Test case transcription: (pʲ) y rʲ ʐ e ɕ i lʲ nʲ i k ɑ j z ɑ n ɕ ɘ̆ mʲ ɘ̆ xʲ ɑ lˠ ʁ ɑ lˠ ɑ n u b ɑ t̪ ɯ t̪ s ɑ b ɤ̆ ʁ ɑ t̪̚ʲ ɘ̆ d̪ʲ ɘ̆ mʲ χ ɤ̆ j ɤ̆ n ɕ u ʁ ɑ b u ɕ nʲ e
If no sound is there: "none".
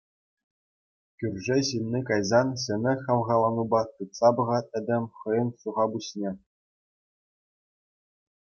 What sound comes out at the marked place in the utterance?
kʲ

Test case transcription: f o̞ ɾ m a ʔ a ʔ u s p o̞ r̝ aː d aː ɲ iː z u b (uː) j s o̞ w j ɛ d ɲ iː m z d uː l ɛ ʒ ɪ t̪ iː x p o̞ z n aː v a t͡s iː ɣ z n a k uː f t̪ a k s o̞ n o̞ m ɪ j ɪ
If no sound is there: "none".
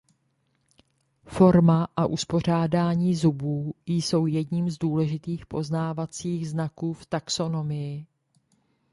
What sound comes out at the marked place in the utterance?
uː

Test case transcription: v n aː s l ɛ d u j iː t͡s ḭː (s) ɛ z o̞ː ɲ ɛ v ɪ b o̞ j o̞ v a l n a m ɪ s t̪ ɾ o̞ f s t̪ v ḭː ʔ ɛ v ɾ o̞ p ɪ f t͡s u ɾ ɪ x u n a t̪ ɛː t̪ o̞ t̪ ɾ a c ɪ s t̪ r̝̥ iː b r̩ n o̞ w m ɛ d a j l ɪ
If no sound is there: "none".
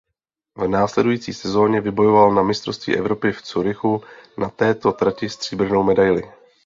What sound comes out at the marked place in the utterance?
s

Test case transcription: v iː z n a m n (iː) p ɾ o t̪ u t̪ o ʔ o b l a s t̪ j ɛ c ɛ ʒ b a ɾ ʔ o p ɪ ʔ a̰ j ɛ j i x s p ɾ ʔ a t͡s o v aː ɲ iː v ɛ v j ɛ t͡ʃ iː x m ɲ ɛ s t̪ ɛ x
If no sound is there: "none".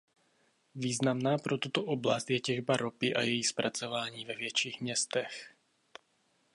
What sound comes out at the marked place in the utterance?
aː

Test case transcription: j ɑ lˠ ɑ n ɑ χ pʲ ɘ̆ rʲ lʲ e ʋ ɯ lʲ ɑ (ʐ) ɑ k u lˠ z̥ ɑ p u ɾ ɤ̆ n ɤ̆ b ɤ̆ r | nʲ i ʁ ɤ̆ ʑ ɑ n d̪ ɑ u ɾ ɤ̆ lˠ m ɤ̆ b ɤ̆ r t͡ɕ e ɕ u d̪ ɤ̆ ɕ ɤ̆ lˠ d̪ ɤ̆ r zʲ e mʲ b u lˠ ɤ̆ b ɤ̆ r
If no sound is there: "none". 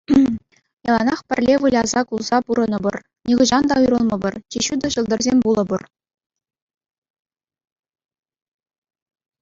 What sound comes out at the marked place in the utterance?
z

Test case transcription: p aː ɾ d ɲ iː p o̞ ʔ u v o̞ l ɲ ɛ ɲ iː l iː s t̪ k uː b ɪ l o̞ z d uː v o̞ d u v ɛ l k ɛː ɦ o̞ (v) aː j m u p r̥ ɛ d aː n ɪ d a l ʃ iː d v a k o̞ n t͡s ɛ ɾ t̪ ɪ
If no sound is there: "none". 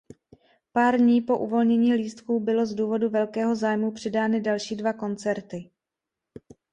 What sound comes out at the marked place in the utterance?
z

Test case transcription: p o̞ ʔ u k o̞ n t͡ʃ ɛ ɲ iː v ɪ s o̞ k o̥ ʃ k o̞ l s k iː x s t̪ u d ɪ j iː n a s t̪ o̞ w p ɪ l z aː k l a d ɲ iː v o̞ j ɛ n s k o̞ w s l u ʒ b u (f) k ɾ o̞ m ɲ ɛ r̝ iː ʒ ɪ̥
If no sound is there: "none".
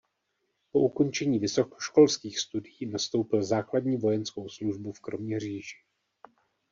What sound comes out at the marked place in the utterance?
f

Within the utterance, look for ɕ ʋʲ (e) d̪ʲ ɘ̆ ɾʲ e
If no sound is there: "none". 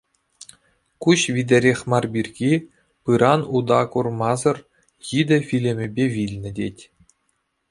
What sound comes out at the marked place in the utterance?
i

